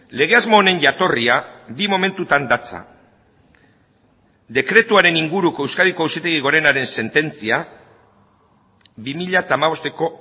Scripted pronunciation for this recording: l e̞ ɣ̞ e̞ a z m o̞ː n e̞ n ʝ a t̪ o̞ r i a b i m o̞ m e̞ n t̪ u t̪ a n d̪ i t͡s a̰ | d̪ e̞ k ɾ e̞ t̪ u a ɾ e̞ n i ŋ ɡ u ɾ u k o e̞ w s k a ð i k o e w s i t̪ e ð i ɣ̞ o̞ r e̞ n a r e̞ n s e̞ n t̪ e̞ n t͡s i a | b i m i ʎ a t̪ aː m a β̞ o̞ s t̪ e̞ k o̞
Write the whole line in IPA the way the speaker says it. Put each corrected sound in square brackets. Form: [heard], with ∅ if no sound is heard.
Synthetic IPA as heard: l e̞ ɣ̞ e̞ a z m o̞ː n e̞ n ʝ a t̪ o̞ r i a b i m o̞ m e̞ n t̪ u t̪ a n d̪ [a] t͡s a̰ | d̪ e̞ k ɾ e̞ t̪ u a ɾ e̞ n i ŋ ɡ u ɾ u k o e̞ w s k a ð i k o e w s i t̪ e [ɣ] i ɣ̞ o̞ [ɾ] e̞ n a [ɾ] e̞ n s e̞ n t̪ e̞ n t͡s i a | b i m i ʎ a t̪ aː m a β̞ o̞ s t̪ e̞ k o̞

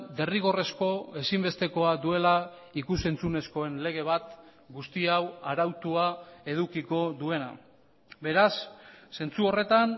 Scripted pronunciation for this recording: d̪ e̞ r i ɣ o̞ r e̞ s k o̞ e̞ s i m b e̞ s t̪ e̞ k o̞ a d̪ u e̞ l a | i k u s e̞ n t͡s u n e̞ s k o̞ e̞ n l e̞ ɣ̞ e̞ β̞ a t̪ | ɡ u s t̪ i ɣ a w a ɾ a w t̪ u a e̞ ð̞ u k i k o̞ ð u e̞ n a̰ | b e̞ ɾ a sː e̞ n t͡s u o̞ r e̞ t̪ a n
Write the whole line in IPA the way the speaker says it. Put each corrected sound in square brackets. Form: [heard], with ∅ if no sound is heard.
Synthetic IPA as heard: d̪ e̞ r i ɣ o̞ r e̞ s k o̞ e̞ s i m b e̞ s t̪ e̞ k o̞ a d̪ u e̞ l a | i k u s e̞ n t͡s u n e̞ s k o̞ e̞ n l e̞ ɣ̞ e̞ β̞ a t̪ | ɡ u s t̪ i [∅] a w a ɾ a w t̪ u a e̞ ð̞ u k i k o̞ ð u e̞ n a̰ | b e̞ ɾ a sː e̞ n t͡s u o̞ r e̞ t̪ a n

